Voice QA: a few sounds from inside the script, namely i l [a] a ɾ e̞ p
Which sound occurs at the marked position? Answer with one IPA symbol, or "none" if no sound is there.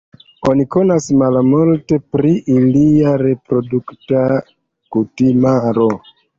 i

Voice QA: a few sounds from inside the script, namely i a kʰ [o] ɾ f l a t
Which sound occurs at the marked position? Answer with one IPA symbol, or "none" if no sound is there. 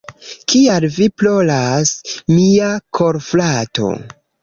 o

